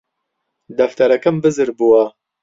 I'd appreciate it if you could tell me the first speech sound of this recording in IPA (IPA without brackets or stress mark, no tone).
d̪